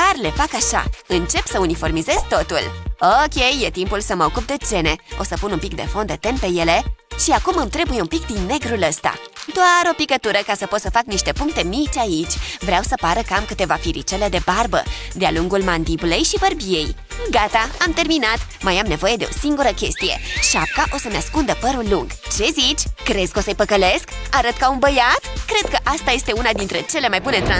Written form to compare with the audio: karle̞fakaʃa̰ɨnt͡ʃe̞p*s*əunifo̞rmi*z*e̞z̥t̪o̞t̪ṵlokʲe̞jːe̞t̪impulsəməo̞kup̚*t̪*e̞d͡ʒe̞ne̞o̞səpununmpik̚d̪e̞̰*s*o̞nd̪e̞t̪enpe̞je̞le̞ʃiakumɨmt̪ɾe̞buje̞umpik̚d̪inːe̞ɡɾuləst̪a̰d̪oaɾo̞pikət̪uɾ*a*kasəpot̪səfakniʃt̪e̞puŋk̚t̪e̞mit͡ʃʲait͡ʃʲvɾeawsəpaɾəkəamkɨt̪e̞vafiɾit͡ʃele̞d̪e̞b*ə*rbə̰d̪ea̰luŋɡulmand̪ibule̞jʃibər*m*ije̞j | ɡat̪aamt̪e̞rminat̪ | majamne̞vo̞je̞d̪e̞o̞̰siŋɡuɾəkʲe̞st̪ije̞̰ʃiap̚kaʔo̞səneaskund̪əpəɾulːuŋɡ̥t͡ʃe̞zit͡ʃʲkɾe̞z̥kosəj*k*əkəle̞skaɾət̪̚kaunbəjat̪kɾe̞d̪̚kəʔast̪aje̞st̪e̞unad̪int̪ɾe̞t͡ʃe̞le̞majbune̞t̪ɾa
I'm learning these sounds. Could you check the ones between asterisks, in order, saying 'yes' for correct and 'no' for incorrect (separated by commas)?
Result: yes, yes, no, no, no, no, no, no